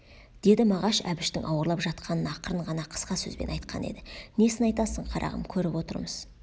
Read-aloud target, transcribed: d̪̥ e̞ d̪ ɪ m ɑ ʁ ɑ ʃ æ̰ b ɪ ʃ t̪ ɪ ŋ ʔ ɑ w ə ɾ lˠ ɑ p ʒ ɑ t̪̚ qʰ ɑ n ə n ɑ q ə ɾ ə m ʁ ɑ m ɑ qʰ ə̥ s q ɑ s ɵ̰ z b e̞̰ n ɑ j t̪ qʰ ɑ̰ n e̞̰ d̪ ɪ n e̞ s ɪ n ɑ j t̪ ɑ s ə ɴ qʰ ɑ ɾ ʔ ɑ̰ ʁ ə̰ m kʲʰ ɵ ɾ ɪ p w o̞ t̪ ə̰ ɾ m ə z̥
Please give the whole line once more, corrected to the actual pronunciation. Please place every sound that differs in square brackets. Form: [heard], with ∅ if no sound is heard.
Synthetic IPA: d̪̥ e̞ d̪ ɪ m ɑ ʁ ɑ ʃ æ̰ b ɪ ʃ t̪ ɪ ŋ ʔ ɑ w ə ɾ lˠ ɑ p ʒ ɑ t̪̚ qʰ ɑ n ə n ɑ q ə ɾ ə [ɴ] ʁ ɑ [n] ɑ qʰ ə̥ s q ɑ s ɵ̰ z b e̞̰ n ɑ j t̪ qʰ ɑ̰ n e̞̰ d̪ ɪ n e̞ s ɪ n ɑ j t̪ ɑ s ə ɴ qʰ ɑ ɾ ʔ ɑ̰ ʁ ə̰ m kʲʰ ɵ ɾ ɪ p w o̞ t̪ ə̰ ɾ m ə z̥

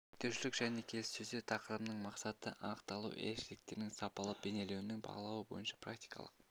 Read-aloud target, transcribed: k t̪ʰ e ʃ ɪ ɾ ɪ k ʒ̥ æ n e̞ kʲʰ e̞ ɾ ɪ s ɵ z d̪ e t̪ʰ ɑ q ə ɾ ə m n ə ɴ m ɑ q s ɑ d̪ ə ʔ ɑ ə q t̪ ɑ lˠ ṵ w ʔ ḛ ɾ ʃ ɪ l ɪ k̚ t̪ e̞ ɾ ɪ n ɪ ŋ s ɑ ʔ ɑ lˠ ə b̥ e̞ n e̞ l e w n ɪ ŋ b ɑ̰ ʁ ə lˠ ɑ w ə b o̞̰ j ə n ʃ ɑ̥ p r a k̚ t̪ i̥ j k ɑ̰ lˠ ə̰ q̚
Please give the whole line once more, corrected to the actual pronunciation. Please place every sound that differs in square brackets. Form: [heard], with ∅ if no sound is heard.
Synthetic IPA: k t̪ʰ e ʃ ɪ [l] ɪ k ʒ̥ æ n e̞ kʲʰ e̞ [l] ɪ s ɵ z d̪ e t̪ʰ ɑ q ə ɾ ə m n ə ɴ m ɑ q s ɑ [t̪] ə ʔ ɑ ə q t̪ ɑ lˠ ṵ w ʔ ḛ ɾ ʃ ɪ l ɪ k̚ t̪ e̞ ɾ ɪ n ɪ ŋ s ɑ [p] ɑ lˠ ə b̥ e̞ n e̞ l e w n ɪ ŋ b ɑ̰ ʁ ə lˠ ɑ w ə b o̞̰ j ə n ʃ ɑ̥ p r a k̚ t̪ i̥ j k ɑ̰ lˠ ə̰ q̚

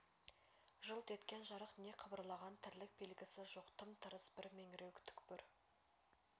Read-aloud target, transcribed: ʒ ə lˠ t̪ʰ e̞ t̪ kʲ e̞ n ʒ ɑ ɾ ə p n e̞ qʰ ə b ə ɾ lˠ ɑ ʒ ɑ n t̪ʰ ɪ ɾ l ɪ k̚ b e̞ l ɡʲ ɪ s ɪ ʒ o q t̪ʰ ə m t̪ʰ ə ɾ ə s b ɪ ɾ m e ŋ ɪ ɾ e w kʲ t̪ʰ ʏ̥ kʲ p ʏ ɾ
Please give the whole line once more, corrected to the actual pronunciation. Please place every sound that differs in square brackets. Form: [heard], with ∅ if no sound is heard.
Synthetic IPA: ʒ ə lˠ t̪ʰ e̞ t̪ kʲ e̞ n ʒ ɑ ɾ ə [q] n e̞ qʰ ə b ə ɾ lˠ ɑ [ʁ] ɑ n t̪ʰ ɪ ɾ l ɪ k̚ b e̞ l ɡʲ ɪ s ɪ ʒ o q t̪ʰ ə m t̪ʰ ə ɾ ə s b ɪ ɾ m e ŋ ɪ ɾ e w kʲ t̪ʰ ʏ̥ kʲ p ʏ ɾ

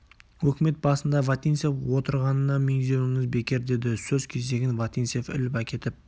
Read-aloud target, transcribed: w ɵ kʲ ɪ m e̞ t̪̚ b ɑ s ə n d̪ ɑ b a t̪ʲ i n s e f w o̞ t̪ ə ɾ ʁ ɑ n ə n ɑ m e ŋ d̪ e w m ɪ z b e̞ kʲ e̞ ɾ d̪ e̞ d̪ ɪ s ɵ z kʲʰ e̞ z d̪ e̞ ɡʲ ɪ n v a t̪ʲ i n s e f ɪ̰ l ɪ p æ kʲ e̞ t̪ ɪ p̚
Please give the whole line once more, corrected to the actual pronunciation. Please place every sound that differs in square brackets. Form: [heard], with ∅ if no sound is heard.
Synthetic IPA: w ɵ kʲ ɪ m e̞ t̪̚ b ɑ s ə n d̪ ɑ [v] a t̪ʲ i n s e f w o̞ t̪ ə ɾ ʁ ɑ n ə n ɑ m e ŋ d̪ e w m ɪ z b e̞ kʲ e̞ ɾ d̪ e̞ d̪ ɪ s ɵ z kʲʰ e̞ z d̪ e̞ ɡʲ ɪ n v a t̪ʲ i n s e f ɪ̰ l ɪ p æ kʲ e̞ t̪ ɪ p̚

